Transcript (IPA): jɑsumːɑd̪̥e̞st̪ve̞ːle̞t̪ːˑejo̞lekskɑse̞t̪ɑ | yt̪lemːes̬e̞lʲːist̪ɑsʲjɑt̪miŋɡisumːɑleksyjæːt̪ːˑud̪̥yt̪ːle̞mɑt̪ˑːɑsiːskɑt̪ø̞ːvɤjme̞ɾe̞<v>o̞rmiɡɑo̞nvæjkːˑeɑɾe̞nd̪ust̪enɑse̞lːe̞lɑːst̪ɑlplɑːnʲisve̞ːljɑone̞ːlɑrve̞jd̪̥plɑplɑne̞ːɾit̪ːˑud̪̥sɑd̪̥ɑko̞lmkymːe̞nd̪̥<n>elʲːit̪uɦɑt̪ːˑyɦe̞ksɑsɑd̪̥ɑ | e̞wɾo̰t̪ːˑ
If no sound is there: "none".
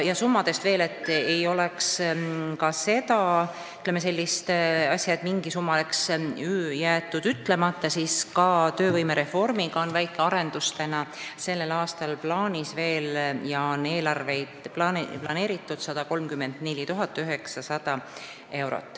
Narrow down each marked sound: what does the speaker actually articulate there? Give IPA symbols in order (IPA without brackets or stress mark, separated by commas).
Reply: f, n